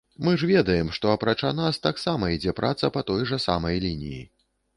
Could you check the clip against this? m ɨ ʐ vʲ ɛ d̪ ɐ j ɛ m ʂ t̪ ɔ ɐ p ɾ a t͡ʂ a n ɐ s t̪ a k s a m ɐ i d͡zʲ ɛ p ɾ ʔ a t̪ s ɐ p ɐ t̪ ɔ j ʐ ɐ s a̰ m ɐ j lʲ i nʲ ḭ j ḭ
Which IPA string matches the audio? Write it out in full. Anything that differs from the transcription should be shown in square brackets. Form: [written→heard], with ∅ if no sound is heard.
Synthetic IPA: m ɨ ʐ vʲ ɛ d̪ ɐ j ɛ m ʂ t̪ ɔ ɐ p ɾ a t͡ʂ a n [ɐ→a] s t̪ a k s a m ɐ i d͡zʲ ɛ p ɾ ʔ a t̪ s ɐ p ɐ t̪ ɔ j ʐ ɐ s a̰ m ɐ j lʲ i nʲ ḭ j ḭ